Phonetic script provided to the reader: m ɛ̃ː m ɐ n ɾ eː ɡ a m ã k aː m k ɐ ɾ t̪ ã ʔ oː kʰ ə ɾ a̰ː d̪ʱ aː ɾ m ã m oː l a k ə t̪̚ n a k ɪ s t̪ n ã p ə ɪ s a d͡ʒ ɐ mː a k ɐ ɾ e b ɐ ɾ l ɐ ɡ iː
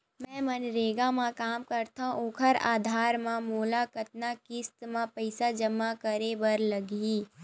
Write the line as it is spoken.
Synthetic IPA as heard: m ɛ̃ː m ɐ n ɾ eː ɡ a m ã k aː m k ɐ ɾ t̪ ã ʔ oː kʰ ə ɾ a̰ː d̪ʱ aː ɾ m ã m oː l a k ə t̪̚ n a k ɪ s t̪ m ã p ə ɪ s a d͡ʒ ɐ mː a k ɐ ɾ e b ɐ ɾ l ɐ ɡ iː